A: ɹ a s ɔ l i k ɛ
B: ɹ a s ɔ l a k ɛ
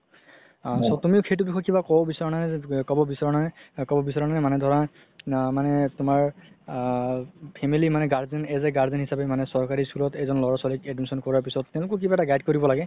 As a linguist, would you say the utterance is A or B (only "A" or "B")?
A